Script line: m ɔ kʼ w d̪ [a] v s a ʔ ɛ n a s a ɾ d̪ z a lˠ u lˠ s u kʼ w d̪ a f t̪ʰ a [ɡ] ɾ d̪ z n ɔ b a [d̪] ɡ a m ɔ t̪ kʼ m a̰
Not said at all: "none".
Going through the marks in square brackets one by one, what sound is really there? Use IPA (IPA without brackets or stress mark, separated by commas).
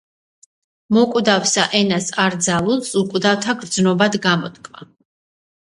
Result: a, ɡ, d̪